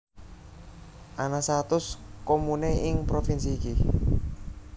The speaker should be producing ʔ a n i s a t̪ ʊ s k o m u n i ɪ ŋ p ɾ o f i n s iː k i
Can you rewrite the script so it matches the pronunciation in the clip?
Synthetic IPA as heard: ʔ a n a s a t̪ ʊ s k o m u n e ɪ ŋ p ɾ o f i n s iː k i